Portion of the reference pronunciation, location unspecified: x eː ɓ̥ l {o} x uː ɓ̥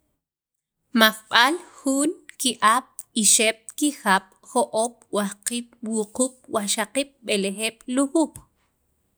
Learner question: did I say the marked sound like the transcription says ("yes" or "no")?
no